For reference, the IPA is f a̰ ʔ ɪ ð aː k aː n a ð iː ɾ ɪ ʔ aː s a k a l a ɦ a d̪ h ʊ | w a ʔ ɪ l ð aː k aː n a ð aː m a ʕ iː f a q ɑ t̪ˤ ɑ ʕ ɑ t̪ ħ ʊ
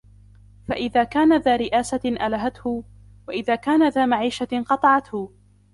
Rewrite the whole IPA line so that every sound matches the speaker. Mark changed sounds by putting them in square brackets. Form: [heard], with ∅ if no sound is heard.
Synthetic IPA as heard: f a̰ ʔ ɪ ð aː k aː n a ð [aː] ɾ ɪ ʔ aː s a [ʔ] a l a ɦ a [t̪] h ʊ | w a ʔ ɪ [∅] ð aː k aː n a ð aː m a ʕ iː [ʃ] a q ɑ t̪ˤ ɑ ʕ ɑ t̪ [h] ʊ